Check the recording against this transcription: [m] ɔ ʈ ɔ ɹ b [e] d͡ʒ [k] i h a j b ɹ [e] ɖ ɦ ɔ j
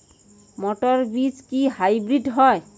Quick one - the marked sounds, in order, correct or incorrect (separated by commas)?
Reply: correct, incorrect, correct, incorrect